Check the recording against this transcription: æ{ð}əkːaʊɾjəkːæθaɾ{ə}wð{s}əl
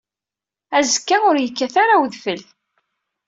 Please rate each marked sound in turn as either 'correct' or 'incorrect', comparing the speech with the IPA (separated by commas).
incorrect, incorrect, incorrect